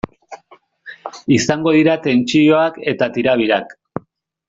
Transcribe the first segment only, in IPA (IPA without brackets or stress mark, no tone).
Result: i